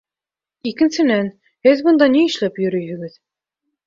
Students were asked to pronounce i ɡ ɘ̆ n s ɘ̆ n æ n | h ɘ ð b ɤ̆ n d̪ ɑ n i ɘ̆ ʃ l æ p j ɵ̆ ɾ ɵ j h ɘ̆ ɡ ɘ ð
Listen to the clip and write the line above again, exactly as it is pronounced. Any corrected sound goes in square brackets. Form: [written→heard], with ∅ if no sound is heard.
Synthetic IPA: i [ɡ→k] ɘ̆ n s ɘ̆ n æ n | h ɘ ð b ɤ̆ n d̪ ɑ n i ɘ̆ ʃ l æ p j ɵ̆ ɾ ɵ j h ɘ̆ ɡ ɘ ð